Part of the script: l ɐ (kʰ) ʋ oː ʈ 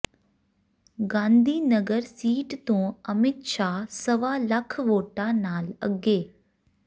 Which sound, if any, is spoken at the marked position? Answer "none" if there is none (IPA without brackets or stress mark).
kʰ